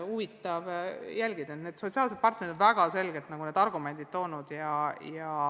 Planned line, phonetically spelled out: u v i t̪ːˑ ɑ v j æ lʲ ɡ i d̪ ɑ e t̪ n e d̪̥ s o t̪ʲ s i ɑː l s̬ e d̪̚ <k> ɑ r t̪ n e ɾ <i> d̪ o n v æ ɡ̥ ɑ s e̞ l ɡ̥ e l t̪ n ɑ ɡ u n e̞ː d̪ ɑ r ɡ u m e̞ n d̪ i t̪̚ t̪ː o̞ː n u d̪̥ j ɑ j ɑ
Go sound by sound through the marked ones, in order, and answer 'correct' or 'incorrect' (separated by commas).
incorrect, correct